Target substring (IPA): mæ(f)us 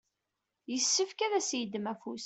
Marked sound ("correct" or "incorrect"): correct